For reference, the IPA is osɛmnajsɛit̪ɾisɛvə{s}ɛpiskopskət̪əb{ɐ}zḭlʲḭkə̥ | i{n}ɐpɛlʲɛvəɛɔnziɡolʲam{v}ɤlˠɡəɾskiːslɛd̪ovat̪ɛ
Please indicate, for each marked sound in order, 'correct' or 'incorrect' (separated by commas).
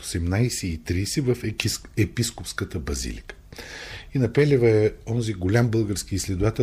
incorrect, correct, correct, incorrect